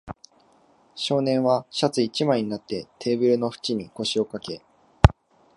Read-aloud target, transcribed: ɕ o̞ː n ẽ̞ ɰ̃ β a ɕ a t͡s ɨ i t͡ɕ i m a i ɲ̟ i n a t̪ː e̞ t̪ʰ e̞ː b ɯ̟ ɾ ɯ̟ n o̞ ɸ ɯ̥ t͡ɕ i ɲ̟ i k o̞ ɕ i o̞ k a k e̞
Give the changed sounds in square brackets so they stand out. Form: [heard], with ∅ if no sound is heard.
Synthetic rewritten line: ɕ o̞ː n ẽ̞ ɰ̃ β a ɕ a t͡s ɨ i t͡ɕ i m a i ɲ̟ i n a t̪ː e̞ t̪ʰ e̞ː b ɯ̟ ɾ ɯ̟ n o̞ ɸ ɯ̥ t͡ɕ i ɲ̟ i k o̞ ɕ i o̞ k a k e̞

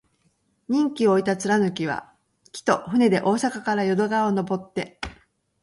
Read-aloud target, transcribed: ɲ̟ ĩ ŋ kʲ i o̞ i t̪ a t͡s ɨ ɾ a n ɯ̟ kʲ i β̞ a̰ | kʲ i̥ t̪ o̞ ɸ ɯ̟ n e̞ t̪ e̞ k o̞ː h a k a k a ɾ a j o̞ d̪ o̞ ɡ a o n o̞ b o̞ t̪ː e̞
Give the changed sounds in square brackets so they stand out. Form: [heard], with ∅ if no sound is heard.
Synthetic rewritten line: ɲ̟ ĩ ŋ kʲ i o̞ i t̪ a t͡s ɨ ɾ a n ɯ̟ kʲ i β̞ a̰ | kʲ i̥ t̪ o̞ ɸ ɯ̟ n e̞ [d̪] e̞ [ʔ] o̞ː [s] a k a k a ɾ a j o̞ d̪ o̞ ɡ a o n o̞ b o̞ t̪ː e̞

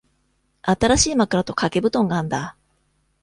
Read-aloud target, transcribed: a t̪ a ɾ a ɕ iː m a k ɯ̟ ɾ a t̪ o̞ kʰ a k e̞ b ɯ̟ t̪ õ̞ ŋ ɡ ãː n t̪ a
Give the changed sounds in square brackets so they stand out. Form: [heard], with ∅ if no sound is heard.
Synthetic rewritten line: a t̪ a ɾ a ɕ iː m a k ɯ̟ ɾ a t̪ o̞ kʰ a k e̞ b ɯ̟ t̪ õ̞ ŋ ɡ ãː n [d̪] a

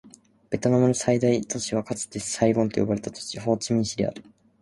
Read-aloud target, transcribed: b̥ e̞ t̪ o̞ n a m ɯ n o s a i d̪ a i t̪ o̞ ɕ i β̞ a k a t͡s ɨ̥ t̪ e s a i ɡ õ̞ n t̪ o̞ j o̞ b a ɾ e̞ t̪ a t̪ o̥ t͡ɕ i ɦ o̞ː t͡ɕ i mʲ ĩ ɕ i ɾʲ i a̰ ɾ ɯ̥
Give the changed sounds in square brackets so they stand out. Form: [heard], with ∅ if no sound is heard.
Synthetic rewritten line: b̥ e̞ t̪ o̞ n a m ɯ n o s a i d̪ a i t̪ o̞ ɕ i β̞ a k a t͡s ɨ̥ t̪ e s a i ɡ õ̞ n t̪ o̞ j o̞ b a ɾ e̞ t̪ a t̪ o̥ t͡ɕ i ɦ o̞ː t͡ɕ i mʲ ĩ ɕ i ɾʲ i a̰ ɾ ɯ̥

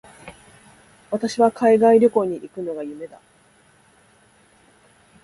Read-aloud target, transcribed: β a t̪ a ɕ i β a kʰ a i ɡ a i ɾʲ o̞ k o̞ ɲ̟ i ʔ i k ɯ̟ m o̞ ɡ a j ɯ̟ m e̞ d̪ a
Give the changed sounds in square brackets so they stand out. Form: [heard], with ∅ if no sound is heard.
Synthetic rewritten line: β a t̪ a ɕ i β a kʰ a i ɡ a i ɾʲ o̞ k o̞ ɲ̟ i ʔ i k ɯ̟ [n] o̞ ɡ a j ɯ̟ m e̞ d̪ a

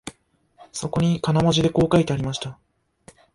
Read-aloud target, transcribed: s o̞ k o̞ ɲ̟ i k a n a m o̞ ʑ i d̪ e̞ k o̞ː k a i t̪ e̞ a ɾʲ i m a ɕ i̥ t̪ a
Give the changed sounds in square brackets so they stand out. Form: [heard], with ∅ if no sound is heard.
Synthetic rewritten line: s o̞ k o̞ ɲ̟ i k a n a m o̞ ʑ i d̪ e̞ k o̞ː k a i t̪ e̞ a ɾʲ i m a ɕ i̥ t̪ a

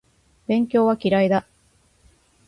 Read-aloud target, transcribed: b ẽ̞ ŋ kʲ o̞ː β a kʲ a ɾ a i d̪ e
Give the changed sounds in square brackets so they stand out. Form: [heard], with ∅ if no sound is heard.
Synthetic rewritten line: b ẽ̞ ŋ kʲ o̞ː β a kʲ [i] ɾ a i d̪ [a]

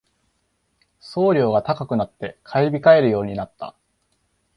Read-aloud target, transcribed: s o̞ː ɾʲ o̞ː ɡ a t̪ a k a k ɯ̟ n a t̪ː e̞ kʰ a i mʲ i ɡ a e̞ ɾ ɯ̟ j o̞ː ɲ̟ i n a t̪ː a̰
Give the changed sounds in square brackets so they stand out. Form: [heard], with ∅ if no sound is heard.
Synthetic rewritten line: s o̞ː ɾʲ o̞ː ɡ a t̪ a k a k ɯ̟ n a t̪ː e̞ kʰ a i [bʲ] i [k] a e̞ ɾ ɯ̟ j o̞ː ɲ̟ i n a t̪ː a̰

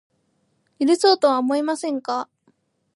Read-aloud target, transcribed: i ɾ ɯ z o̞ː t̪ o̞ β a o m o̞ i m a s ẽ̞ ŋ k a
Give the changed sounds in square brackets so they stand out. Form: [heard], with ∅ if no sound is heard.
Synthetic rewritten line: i ɾ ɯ [s] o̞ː t̪ o̞ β a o m o̞ i m a s ẽ̞ ŋ k a

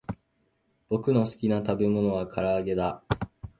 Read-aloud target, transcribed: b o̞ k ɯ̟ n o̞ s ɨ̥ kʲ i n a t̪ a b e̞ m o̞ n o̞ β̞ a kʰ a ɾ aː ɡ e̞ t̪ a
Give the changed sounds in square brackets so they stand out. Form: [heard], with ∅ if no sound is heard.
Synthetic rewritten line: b o̞ k ɯ̟ n o̞ s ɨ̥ kʲ i n a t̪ a b e̞ m o̞ n o̞ β̞ a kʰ a ɾ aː ɡ e̞ [d̪] a

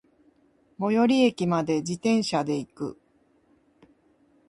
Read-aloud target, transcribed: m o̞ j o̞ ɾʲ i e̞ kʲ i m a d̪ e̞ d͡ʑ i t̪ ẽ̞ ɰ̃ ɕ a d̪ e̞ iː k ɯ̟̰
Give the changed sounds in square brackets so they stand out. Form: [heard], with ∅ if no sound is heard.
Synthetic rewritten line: m o̞ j o̞ ɾʲ i e̞ kʲ i m a d̪ e̞ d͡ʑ i t̪ ẽ̞ ɰ̃ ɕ a d̪ e̞ [i] k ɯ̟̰

